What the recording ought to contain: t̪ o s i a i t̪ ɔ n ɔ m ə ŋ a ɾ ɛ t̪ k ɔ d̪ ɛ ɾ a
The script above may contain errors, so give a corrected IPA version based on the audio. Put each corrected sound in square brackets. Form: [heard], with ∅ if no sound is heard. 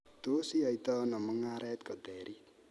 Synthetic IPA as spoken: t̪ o s i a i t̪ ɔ n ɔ m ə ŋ a ɾ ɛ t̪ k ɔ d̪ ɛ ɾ [i]